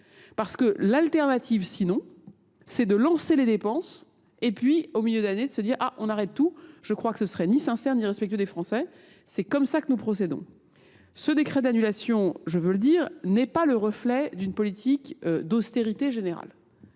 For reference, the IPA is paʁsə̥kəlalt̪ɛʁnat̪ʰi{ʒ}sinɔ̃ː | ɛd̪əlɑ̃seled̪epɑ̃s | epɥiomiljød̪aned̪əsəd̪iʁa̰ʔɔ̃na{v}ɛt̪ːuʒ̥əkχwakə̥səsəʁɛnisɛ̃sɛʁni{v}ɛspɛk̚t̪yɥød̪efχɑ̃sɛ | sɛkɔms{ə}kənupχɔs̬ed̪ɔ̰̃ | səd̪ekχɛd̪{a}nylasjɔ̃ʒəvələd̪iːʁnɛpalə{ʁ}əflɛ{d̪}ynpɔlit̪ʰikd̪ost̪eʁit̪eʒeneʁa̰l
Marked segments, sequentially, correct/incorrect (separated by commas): incorrect, incorrect, incorrect, incorrect, correct, correct, correct